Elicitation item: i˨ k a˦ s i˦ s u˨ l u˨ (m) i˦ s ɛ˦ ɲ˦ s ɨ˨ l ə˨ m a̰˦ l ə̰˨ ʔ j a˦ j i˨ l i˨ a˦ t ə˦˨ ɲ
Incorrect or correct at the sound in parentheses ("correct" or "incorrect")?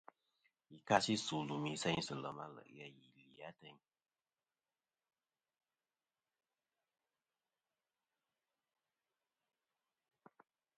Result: correct